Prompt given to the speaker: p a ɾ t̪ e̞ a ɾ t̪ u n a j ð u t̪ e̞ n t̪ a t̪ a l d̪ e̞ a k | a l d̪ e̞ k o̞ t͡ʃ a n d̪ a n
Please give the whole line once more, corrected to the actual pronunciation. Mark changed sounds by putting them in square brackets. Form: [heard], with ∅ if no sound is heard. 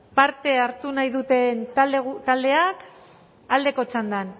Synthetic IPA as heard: p a ɾ t̪ e̞ a ɾ t̪ u n a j ð u t̪ e̞ n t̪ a t̪ a l d̪ e̞ a k | a l d̪ e̞ k o̞ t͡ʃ a n d̪ a n